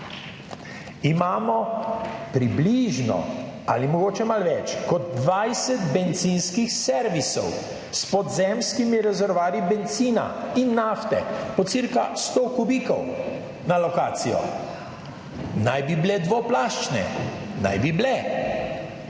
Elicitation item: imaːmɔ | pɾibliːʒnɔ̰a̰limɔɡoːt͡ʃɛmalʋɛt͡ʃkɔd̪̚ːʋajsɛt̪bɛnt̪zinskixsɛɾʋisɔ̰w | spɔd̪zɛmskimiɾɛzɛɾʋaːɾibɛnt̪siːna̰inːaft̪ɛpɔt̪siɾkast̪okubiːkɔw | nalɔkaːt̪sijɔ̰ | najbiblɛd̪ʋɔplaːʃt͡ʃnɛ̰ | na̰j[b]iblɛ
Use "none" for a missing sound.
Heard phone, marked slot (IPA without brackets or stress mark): b